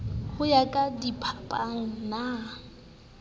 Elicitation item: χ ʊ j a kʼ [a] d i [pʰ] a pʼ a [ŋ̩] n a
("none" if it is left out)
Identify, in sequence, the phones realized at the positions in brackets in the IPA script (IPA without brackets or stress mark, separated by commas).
a, pʰ, ŋ̩